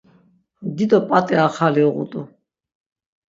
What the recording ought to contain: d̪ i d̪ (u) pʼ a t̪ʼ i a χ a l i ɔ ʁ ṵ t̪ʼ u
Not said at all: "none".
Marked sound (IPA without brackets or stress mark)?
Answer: ɔ